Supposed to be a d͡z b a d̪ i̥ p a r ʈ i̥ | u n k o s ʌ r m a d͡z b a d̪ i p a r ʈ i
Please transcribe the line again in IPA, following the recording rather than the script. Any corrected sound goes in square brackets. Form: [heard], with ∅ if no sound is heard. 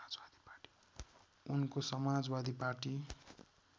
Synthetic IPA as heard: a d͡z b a d̪ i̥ p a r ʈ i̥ | u n k o s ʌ [∅] m a d͡z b a d̪ i p a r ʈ i